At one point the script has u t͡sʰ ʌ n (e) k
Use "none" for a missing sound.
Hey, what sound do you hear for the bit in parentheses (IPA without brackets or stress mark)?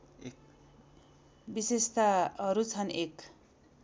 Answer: e